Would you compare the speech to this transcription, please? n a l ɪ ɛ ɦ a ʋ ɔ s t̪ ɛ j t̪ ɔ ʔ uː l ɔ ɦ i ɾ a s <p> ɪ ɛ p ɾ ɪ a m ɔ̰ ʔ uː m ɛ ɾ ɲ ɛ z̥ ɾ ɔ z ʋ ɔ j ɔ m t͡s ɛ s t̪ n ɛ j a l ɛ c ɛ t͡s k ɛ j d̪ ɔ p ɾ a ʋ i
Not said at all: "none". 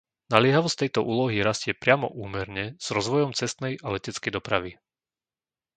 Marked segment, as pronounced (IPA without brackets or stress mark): c